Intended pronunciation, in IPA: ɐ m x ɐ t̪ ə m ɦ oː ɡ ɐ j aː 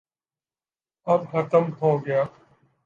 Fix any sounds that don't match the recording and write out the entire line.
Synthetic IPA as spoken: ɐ b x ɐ t̪ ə m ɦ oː ɡ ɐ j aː